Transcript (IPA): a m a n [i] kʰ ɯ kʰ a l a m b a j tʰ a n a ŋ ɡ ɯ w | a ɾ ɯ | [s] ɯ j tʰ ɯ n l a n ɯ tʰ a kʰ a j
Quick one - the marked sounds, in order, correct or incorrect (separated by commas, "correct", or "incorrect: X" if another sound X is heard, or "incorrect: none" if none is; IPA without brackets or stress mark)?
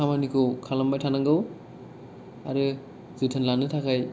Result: correct, incorrect: z